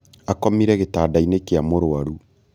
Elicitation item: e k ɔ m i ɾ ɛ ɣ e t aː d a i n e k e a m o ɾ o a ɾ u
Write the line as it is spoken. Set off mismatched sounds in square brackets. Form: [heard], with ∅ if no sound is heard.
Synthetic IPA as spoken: [a] k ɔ m i ɾ ɛ ɣ e t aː d a i n e k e a m o ɾ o a ɾ u

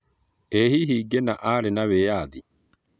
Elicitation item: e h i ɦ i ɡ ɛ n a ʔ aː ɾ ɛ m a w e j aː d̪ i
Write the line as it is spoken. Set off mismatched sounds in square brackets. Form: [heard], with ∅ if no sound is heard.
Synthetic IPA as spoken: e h i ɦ i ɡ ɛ n a ʔ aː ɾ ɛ [n] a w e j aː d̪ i

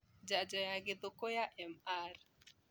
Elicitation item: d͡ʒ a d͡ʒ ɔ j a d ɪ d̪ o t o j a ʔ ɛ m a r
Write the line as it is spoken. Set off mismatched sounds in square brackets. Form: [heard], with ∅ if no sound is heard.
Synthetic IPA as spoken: d͡ʒ a d͡ʒ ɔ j a [ɡ] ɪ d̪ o [k] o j a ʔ ɛ m a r

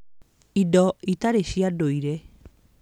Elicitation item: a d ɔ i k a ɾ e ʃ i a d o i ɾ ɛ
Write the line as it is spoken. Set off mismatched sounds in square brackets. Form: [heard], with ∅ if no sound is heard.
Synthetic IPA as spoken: [i] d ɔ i [t] a ɾ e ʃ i a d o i ɾ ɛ

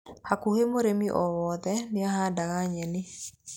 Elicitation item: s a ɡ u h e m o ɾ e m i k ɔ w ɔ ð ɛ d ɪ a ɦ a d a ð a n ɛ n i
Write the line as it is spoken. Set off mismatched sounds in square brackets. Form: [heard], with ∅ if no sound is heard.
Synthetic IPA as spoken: [h] a [k] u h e m o ɾ e m i [ʔ] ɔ w ɔ ð ɛ [n] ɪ a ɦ a d a [ɣ] a [ɲ] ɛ n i

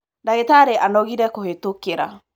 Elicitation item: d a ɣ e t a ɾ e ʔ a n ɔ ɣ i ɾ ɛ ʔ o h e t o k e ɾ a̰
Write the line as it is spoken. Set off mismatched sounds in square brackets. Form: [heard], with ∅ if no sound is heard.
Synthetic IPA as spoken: d a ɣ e t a ɾ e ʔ a n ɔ ɣ i ɾ ɛ [k] o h e t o k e ɾ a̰

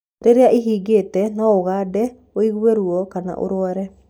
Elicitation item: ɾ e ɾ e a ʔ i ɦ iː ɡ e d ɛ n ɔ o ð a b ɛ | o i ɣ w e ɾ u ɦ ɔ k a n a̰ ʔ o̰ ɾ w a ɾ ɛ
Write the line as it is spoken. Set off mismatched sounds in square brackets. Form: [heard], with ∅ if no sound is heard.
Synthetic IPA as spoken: ɾ e ɾ e a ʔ i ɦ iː ɡ e [t] ɛ n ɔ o [ɣ] a [d] ɛ | o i ɣ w e ɾ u [∅] ɔ k a n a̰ ʔ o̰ ɾ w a ɾ ɛ

